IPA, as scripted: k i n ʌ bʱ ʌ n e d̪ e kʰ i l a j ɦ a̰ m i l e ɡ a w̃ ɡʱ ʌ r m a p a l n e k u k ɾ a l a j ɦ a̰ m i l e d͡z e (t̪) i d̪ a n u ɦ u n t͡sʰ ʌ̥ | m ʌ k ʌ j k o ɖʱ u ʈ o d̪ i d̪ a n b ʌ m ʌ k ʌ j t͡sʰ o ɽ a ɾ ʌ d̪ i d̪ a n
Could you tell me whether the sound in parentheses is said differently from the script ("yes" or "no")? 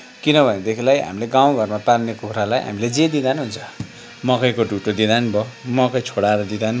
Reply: yes